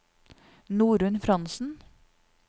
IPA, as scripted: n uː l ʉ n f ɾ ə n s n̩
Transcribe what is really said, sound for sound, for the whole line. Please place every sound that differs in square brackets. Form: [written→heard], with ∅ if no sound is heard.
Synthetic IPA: n uː [l→ɾ] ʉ n f ɾ [ə→ɑ] n s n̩